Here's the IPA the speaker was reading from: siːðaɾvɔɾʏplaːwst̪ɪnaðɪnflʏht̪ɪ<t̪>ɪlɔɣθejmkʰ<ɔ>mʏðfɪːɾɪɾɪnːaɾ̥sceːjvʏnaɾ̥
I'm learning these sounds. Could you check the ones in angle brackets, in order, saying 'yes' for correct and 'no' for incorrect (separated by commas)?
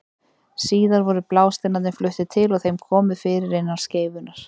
no, no